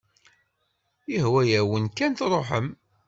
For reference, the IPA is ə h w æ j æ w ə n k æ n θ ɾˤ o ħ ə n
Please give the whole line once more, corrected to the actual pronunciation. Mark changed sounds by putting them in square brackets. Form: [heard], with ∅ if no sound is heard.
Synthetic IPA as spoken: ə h w æ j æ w ə n k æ n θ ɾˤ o ħ ə [m]

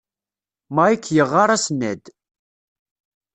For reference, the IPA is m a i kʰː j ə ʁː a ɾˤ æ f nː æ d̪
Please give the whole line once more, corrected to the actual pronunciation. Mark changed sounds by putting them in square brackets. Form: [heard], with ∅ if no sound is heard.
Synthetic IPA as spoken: m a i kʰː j ə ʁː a ɾˤ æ [s] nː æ d̪

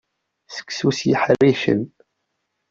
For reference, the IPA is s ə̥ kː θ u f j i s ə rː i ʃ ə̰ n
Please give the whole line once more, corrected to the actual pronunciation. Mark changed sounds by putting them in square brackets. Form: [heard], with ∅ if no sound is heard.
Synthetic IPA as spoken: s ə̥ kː [s] u [s] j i [ħ] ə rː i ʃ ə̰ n

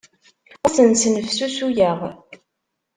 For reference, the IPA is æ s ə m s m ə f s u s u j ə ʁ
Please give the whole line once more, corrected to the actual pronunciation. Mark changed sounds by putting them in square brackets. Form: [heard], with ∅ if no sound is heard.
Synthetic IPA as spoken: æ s ə [n] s [n] ə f s u s u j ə ʁ

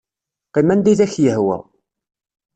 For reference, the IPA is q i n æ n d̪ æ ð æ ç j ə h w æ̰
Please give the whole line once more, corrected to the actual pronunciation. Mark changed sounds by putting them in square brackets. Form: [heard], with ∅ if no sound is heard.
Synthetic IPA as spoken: q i [m] æ n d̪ [i] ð æ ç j ə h w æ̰

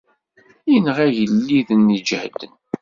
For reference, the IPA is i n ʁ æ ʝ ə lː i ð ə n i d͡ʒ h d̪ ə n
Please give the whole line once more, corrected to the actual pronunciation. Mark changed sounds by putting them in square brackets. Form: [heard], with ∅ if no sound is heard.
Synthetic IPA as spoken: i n ʁ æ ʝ ə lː i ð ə n i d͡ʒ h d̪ ə n

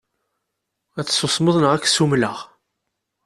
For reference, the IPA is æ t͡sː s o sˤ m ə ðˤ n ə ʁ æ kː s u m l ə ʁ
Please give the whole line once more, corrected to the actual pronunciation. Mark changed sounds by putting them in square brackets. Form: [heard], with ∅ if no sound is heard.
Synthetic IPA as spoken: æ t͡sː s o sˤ m ə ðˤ n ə ʁ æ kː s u m l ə ʁ

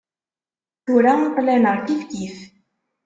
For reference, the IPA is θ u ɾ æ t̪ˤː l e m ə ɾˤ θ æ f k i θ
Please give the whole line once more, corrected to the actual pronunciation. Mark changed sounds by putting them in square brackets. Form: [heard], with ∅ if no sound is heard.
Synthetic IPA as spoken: θ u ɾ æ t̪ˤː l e [n] ə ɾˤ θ [i] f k i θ

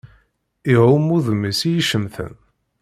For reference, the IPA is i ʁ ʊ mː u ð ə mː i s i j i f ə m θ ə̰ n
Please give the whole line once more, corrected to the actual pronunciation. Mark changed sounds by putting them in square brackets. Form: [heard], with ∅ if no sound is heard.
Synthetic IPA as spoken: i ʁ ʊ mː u ð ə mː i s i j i [ʃ] ə m θ ə̰ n

